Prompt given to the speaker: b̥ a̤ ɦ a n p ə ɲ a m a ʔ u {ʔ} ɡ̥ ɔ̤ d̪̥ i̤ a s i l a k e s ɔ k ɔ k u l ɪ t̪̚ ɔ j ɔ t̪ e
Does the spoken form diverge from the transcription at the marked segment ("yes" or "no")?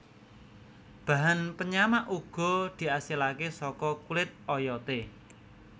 yes